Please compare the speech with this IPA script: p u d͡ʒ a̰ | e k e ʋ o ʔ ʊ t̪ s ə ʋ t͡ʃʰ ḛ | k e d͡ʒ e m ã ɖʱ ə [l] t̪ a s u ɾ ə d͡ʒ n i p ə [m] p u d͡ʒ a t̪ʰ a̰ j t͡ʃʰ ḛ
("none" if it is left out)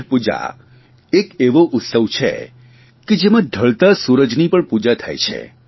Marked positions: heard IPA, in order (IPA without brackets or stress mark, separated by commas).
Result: ɭ, ɳ